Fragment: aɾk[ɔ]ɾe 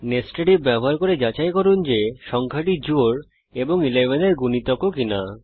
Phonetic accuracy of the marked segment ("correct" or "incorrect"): incorrect